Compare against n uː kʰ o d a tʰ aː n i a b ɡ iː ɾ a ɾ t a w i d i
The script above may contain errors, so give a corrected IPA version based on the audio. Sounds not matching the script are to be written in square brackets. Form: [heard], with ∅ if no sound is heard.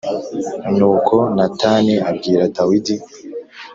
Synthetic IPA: n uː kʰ o [n] a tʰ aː n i a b ɡ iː ɾ a [∅] t a w i d i